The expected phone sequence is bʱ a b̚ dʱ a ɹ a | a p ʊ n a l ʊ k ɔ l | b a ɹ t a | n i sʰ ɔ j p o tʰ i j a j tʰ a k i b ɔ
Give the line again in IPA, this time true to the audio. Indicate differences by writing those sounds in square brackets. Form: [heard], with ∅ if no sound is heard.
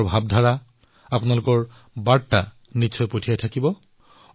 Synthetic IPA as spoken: bʱ a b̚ dʱ a ɹ a | a p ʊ n a l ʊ k ɔ [ɹ] | b a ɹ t a | n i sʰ ɔ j p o tʰ i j a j tʰ a k i b ɔ